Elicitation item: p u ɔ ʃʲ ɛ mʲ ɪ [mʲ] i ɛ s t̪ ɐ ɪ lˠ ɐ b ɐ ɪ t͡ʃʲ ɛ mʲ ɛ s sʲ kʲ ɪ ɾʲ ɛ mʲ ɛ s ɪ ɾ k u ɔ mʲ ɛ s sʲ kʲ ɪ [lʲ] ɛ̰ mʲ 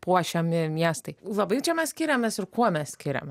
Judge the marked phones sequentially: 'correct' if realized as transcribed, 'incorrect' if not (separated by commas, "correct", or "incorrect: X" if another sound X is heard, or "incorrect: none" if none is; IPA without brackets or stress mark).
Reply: correct, incorrect: ɾʲ